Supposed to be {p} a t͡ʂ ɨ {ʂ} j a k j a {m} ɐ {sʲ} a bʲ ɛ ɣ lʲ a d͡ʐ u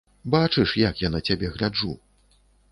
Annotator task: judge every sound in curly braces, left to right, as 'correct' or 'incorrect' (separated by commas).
incorrect, correct, incorrect, incorrect